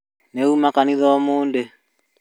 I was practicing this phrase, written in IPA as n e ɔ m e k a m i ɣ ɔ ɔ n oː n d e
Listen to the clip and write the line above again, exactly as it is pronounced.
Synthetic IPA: n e u m a k a n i ð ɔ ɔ m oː n d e